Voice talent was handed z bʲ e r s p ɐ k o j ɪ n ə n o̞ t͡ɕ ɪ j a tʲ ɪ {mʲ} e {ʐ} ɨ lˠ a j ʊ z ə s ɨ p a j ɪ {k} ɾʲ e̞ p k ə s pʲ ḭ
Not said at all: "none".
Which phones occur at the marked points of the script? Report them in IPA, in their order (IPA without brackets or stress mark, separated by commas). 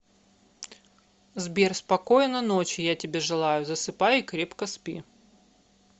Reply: bʲ, ʐ, k